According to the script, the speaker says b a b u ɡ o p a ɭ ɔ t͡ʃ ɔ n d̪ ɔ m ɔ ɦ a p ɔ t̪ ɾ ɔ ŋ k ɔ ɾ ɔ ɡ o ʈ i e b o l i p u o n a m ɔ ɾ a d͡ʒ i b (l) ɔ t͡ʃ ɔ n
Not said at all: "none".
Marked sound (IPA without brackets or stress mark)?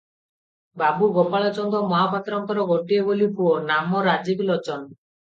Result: l